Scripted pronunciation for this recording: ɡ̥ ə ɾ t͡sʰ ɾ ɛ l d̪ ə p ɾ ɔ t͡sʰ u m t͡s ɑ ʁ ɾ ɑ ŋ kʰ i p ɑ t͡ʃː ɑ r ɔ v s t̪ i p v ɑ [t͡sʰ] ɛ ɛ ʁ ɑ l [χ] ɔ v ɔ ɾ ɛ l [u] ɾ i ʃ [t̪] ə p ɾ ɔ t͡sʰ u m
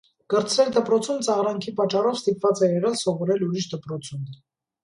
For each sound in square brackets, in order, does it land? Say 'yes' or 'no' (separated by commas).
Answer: no, no, yes, no